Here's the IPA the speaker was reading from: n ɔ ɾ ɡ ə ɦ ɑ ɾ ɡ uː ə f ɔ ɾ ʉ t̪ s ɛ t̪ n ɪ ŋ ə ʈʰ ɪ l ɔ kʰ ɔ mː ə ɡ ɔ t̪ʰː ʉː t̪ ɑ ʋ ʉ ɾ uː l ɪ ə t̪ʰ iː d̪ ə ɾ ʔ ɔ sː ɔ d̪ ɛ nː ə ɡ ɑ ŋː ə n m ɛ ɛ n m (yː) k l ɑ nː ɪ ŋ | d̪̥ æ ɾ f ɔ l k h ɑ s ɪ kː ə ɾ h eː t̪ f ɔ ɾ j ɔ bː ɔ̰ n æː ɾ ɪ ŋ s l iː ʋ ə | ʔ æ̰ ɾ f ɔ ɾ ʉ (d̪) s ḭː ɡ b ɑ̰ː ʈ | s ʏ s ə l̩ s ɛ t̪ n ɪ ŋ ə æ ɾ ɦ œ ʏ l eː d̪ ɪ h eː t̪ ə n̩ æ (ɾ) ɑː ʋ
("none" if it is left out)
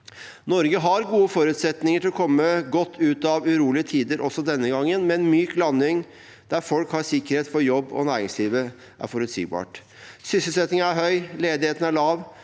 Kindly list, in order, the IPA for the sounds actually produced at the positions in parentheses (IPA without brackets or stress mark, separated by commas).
yː, t̪, ɭ